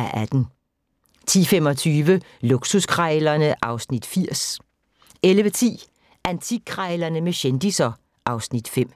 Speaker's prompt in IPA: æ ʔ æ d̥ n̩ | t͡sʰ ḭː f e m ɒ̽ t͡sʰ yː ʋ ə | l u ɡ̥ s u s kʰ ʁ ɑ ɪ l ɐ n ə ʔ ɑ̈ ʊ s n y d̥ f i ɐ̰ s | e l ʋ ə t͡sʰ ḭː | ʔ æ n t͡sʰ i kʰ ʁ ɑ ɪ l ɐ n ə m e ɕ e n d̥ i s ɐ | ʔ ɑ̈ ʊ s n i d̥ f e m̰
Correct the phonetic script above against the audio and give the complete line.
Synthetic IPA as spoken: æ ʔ æ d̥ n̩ | t͡sʰ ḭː f e m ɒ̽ t͡sʰ yː ʋ ə | l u ɡ̥ s u s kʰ ʁ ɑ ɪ l ɐ n ə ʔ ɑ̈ ʊ s n i d̥ f i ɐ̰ s | e l ʋ ə t͡sʰ ḭː | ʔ æ n t͡sʰ i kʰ ʁ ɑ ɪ l ɐ n ə m e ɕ e n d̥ i s ɐ | ʔ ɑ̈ ʊ s n i d̥ f e m̰